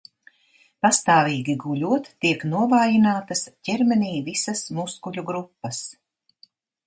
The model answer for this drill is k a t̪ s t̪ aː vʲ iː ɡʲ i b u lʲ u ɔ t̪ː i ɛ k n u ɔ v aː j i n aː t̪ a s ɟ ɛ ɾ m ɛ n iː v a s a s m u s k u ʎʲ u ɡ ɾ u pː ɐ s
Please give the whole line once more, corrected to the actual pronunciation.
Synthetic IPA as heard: p a s t̪ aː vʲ iː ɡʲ i ɡ u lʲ u ɔ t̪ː i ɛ k n u ɔ v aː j i n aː t̪ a s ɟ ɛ ɾ m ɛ n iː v i s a s m u s k u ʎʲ u ɡ ɾ u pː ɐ s